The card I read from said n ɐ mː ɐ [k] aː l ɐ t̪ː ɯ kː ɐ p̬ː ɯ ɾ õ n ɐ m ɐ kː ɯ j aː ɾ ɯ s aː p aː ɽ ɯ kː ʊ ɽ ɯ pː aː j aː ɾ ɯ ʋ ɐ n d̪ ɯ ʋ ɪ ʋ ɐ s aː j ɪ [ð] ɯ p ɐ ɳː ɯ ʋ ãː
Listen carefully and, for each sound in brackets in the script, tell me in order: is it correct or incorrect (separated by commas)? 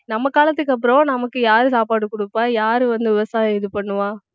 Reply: correct, correct